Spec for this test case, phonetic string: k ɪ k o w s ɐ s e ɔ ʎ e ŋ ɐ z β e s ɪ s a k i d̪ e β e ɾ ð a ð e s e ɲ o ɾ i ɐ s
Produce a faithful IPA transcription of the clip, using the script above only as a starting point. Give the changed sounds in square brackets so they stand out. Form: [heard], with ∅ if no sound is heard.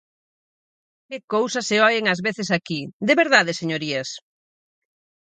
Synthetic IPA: k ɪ k o w s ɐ s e ɔ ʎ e ŋ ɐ z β e [θ] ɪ s a k i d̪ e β e ɾ ð a ð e s e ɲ o ɾ i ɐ s